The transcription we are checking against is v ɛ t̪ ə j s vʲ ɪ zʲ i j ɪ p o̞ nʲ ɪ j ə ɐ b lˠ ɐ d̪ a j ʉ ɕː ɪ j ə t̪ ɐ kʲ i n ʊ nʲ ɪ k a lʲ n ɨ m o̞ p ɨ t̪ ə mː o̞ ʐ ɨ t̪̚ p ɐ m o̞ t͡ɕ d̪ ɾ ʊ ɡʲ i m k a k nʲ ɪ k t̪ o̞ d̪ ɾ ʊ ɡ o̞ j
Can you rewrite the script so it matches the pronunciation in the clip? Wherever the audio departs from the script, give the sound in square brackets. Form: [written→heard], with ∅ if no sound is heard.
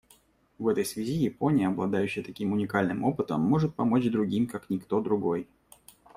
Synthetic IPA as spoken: v ɛ t̪ ə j s vʲ ɪ zʲ i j ɪ p o̞ nʲ ɪ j ə ɐ b lˠ ɐ d̪ a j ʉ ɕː ɪ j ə t̪ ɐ kʲ i [n→m] ʊ nʲ ɪ k a lʲ n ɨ m o̞ p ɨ t̪ ə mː o̞ ʐ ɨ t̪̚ p ɐ m o̞ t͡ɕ d̪ ɾ ʊ ɡʲ i m k a k nʲ ɪ k t̪ o̞ d̪ ɾ ʊ ɡ o̞ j